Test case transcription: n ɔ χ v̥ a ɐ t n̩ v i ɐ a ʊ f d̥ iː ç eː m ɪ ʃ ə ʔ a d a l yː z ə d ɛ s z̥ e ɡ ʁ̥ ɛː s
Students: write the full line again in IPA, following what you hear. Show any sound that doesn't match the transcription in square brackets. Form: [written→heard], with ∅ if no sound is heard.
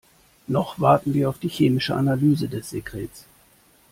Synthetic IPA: n ɔ χ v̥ a ɐ t n̩ v [i→iː] ɐ a ʊ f d̥ iː ç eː m ɪ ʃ ə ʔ a [d→n] a l yː z ə d ɛ s z̥ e ɡ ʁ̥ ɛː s